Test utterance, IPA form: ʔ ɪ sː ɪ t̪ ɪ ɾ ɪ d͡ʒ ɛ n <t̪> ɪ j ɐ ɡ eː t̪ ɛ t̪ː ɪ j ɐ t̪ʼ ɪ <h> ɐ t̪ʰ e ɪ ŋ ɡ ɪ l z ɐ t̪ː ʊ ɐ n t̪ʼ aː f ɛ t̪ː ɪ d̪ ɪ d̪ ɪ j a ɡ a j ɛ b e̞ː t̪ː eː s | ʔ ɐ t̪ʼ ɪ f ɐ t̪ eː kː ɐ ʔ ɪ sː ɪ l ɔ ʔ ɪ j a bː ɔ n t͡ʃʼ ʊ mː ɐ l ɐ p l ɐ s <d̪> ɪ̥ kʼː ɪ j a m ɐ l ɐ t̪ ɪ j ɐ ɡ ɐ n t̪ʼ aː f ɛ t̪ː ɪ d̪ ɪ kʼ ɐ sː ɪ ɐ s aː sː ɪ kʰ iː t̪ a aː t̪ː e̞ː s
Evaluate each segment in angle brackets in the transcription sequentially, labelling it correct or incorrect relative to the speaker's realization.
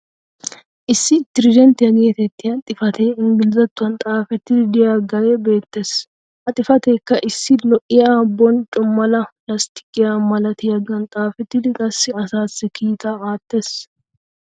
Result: correct, incorrect: f, incorrect: t̪

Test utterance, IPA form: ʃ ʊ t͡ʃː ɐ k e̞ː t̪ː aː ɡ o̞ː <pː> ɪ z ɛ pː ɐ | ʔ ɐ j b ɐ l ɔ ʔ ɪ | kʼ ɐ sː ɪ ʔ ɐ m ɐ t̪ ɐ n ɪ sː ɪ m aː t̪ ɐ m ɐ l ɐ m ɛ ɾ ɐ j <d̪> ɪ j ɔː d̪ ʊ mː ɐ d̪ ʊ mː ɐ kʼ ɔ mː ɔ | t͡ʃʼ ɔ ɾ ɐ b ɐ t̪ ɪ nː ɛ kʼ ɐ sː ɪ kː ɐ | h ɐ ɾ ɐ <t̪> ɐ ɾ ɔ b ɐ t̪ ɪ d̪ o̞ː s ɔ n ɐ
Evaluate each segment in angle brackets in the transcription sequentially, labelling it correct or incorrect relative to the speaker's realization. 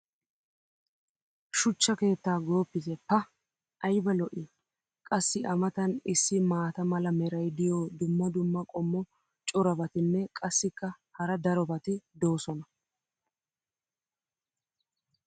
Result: correct, correct, incorrect: d̪

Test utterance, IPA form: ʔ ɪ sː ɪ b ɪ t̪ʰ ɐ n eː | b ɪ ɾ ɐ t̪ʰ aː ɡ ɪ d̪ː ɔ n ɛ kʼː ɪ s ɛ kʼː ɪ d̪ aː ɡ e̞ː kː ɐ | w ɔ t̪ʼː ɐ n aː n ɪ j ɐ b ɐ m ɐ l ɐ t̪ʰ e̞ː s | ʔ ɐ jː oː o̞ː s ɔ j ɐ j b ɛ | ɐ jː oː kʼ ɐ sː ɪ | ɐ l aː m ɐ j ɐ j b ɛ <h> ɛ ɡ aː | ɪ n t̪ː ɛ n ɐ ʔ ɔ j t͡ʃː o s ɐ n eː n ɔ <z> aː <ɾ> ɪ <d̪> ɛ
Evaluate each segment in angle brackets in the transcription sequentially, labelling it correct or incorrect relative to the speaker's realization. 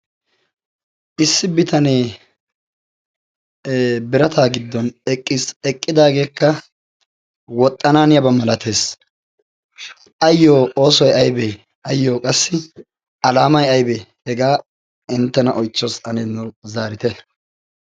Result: correct, correct, correct, incorrect: t̪

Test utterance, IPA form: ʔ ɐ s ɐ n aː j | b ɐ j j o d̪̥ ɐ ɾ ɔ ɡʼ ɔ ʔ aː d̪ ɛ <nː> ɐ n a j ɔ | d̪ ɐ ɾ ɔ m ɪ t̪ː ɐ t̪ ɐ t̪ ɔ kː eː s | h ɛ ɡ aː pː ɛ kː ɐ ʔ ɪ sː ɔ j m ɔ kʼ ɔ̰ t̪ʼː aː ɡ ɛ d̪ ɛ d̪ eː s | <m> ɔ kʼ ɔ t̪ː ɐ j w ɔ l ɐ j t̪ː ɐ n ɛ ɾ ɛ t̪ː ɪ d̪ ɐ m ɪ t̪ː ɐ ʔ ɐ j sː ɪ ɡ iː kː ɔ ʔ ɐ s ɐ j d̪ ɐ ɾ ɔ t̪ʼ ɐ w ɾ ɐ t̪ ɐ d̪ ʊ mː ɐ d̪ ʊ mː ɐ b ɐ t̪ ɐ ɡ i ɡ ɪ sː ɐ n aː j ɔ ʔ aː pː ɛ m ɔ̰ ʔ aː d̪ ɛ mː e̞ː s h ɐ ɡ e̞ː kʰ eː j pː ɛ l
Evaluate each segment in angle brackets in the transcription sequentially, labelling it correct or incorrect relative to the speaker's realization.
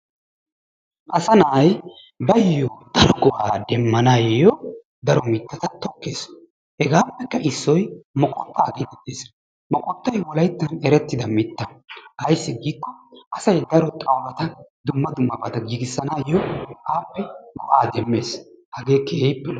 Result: incorrect: mː, correct

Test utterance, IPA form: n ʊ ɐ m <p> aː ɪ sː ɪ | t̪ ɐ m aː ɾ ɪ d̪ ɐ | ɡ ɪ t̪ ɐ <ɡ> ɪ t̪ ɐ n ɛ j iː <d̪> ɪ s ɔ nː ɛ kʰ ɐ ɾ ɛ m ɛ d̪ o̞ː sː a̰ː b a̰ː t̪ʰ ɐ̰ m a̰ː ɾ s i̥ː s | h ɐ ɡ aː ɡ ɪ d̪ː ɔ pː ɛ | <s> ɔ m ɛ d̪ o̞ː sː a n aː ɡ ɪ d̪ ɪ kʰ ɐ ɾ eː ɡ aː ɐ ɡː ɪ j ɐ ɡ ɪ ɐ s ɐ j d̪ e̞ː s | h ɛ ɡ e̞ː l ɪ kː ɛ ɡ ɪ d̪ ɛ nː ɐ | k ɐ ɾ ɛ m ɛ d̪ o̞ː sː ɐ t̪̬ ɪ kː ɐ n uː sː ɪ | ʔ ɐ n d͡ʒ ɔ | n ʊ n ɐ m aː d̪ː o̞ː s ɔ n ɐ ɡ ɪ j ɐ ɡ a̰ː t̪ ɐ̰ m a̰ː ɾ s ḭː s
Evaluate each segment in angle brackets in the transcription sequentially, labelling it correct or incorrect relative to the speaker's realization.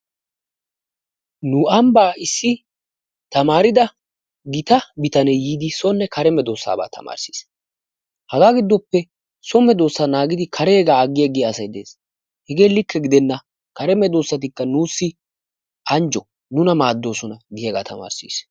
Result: incorrect: b, incorrect: b, correct, correct

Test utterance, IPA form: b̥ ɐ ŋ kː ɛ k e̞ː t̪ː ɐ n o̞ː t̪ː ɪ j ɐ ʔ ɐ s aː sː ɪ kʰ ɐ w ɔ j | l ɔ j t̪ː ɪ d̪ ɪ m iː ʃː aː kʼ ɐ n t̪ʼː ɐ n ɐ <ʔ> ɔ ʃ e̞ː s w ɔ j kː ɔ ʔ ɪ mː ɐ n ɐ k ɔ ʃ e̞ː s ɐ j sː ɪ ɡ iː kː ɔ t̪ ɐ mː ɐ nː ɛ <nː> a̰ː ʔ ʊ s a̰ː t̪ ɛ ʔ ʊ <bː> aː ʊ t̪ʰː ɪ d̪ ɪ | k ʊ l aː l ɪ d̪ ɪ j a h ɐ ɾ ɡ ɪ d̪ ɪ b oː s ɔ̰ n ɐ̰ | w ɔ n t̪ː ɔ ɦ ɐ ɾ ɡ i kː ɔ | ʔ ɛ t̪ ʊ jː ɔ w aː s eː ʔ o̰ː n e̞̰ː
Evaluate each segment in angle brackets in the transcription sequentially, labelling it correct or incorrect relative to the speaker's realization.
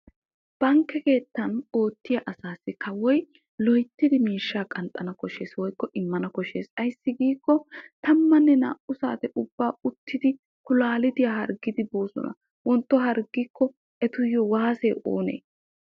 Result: incorrect: k, incorrect: n, correct

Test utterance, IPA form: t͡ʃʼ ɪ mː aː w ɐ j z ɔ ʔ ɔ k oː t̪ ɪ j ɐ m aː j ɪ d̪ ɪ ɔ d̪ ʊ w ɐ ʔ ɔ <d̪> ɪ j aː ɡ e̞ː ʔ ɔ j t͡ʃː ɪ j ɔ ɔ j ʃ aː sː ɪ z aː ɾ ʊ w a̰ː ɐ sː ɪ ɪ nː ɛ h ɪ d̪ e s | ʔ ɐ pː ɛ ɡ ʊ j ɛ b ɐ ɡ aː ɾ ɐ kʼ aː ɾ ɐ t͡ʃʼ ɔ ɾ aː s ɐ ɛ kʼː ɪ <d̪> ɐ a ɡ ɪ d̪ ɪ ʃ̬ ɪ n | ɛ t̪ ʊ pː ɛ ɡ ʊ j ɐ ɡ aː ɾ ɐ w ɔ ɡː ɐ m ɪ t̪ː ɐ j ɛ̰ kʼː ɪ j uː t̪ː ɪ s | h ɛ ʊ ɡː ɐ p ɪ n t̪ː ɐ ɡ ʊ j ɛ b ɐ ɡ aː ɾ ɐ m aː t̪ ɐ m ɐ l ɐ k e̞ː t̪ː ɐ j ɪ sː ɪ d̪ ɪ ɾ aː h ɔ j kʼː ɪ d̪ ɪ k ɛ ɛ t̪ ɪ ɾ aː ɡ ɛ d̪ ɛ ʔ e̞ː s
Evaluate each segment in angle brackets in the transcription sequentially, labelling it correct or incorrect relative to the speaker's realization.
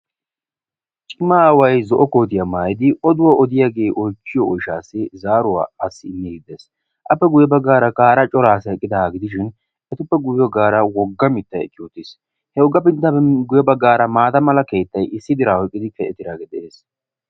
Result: correct, correct

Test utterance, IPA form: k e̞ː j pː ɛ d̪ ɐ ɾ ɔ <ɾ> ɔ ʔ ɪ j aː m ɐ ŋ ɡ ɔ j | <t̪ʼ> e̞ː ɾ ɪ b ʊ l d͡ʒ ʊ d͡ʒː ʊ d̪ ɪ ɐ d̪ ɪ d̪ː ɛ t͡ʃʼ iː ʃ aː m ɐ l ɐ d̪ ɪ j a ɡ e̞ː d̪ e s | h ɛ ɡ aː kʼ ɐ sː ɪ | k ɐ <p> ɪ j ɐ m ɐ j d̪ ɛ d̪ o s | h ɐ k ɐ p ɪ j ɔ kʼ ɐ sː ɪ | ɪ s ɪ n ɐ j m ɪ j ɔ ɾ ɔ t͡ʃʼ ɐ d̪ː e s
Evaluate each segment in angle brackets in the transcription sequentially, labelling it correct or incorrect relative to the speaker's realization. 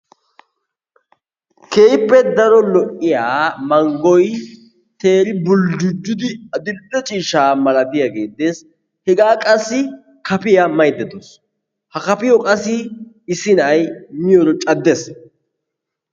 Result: incorrect: l, incorrect: t̪, correct

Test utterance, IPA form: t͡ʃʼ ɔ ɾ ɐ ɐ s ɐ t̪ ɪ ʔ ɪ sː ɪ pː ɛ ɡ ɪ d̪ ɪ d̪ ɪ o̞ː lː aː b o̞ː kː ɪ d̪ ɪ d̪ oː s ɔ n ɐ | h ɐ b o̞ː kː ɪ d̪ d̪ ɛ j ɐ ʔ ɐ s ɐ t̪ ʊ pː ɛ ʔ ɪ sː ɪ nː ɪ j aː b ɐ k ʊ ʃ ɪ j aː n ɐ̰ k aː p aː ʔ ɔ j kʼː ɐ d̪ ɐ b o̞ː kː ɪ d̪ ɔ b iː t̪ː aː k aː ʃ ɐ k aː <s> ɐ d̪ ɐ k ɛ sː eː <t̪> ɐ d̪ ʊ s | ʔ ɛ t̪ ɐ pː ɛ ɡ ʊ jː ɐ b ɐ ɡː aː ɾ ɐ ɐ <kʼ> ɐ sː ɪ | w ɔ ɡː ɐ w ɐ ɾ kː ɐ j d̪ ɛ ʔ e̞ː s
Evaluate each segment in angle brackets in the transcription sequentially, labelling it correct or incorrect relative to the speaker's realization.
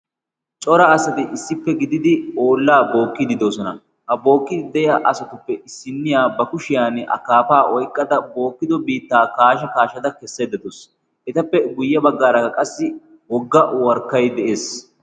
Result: incorrect: ʃ, incorrect: d̪, correct

